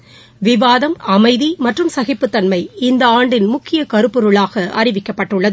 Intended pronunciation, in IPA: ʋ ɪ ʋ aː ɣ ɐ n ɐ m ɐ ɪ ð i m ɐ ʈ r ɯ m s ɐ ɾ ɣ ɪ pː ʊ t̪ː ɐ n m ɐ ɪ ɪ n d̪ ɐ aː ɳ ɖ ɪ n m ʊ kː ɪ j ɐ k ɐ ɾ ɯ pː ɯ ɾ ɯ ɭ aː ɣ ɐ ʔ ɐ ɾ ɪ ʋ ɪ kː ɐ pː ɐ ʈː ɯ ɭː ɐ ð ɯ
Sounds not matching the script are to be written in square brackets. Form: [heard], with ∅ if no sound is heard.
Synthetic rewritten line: ʋ ɪ ʋ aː [ð] ɐ [m] ɐ m ɐ ɪ ð i m ɐ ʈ r ɯ m s ɐ [∅] ɣ ɪ pː [ɯ] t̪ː ɐ n m ɐ ɪ ɪ n d̪ ɐ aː ɳ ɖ ɪ n m ʊ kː ɪ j ɐ k ɐ ɾ ɯ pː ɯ ɾ ɯ ɭ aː ɣ ɐ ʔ ɐ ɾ ɪ ʋ ɪ kː ɐ pː ɐ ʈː ɯ ɭː ɐ ð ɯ